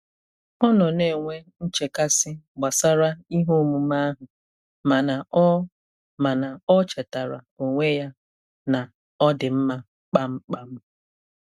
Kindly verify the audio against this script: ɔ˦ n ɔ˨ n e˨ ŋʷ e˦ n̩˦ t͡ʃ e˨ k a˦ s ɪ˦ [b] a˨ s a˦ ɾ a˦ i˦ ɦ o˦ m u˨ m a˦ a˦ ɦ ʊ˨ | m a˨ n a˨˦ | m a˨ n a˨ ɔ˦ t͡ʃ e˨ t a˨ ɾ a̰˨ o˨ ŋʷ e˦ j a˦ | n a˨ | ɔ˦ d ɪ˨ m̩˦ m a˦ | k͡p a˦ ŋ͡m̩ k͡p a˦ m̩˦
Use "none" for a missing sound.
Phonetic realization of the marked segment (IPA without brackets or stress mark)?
ɡ͡b